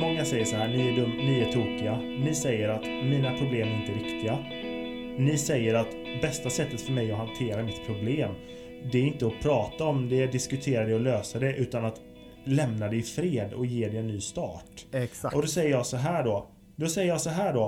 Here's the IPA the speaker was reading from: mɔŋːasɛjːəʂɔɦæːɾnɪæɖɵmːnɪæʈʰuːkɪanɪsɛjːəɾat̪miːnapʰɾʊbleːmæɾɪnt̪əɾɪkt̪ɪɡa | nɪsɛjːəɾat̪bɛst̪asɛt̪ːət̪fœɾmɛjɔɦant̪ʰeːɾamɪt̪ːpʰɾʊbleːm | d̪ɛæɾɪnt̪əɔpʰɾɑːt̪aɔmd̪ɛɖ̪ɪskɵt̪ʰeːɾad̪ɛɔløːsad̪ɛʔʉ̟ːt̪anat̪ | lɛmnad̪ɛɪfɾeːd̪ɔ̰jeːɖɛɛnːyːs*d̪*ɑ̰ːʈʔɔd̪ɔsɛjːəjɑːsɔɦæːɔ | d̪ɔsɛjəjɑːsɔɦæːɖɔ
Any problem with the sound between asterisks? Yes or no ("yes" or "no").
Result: yes